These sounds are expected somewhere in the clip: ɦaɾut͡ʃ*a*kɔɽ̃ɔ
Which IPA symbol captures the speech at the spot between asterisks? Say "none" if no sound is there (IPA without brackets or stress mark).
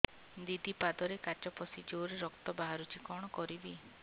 i